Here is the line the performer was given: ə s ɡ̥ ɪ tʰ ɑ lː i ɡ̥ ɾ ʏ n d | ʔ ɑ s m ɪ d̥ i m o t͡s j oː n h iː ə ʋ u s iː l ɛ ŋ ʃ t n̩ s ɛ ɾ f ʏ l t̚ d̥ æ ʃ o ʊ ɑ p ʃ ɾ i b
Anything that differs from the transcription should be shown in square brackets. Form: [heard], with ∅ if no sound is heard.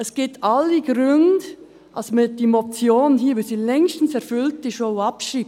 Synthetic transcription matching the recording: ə s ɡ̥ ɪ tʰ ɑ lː i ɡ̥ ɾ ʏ n d | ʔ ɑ s m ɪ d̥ i m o t͡s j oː n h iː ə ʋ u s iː l ɛ ŋ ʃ t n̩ s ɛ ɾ f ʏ l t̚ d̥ [i] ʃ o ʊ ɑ p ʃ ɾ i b